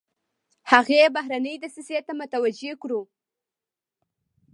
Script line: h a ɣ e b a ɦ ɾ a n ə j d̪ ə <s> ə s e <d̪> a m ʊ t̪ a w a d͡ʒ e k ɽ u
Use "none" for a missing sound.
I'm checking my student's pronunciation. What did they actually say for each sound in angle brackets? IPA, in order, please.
s, t̪

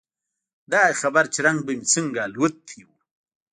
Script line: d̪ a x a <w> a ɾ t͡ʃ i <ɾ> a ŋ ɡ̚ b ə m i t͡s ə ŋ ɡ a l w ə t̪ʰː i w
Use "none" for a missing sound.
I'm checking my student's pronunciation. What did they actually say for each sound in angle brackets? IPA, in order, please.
b, ɾ

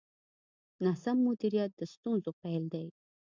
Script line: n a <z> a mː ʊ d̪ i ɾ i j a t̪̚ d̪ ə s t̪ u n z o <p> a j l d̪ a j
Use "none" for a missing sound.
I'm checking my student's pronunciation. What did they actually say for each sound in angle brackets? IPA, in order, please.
s, p

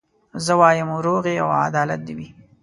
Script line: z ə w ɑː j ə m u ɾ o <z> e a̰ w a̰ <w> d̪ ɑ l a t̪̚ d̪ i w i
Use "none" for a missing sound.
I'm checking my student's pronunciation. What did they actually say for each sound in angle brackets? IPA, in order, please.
ɣ, none

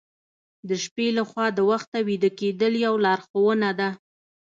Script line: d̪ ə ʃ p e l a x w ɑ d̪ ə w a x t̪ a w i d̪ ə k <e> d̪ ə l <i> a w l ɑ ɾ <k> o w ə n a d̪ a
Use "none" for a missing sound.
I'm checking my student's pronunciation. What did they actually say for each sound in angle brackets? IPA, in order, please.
e, j, x

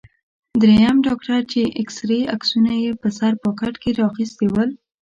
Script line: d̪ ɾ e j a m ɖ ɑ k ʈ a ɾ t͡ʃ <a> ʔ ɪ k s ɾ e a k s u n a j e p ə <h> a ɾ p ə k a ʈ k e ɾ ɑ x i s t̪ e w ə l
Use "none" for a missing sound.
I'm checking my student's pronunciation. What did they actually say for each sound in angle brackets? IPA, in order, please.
e, s

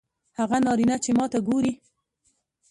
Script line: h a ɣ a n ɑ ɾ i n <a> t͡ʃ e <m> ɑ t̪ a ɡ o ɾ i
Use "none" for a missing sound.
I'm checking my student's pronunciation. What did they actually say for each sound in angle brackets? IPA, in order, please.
a, m

